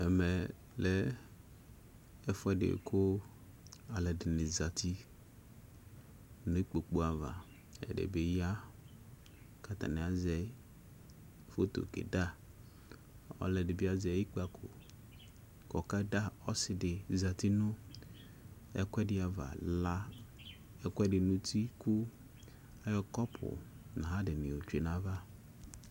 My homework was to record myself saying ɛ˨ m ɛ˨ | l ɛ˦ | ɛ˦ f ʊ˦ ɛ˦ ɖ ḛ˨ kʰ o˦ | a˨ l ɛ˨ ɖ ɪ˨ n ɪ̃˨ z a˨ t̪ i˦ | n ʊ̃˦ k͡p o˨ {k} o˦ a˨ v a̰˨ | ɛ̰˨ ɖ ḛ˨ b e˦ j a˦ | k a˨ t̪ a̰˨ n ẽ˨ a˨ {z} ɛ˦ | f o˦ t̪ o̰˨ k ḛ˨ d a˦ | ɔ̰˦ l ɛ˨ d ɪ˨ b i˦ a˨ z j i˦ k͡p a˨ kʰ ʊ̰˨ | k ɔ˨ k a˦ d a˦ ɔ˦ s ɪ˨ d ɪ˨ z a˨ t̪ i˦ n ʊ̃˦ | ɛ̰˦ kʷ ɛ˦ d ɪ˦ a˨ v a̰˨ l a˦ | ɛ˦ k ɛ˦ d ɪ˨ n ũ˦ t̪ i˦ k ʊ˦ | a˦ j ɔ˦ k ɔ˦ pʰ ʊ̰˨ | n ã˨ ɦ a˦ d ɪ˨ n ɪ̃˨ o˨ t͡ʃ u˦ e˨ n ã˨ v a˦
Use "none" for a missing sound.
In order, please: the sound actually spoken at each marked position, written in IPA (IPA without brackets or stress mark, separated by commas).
k͡p, z